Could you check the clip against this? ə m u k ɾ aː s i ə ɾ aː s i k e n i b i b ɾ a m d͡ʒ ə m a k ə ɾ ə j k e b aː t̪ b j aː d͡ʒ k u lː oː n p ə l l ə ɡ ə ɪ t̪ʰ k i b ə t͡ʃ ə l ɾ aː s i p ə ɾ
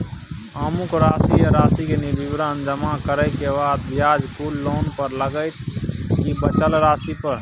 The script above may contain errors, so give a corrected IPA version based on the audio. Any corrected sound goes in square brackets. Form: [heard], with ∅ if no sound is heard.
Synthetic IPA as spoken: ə m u k ɾ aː s i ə ɾ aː s i k e n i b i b ɾ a [n] d͡ʒ ə m a k ə ɾ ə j k e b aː [d̪] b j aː d͡ʒ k u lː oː n p ə [ɾ] l ə ɡ ə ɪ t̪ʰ k i b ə t͡ʃ ə l ɾ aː s i p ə ɾ